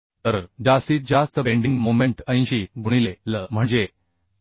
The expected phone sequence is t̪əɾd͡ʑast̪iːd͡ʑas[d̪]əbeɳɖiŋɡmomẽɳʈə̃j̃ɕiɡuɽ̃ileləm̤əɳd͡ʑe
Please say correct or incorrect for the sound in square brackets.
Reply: incorrect: t̪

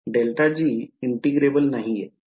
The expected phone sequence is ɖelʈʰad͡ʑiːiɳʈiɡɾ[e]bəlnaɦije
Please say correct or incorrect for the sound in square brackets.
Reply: correct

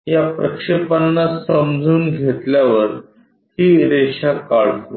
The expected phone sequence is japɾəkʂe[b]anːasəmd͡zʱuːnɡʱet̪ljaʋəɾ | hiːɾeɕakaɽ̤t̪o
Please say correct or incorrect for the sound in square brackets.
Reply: incorrect: p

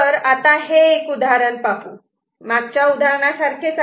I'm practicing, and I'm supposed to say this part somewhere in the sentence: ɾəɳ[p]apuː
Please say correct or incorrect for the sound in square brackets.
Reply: correct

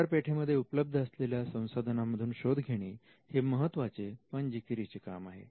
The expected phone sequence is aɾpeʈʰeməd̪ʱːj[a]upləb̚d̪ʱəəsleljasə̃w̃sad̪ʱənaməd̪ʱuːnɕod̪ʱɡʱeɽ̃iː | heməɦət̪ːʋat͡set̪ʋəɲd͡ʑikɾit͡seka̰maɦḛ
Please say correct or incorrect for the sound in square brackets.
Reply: incorrect: e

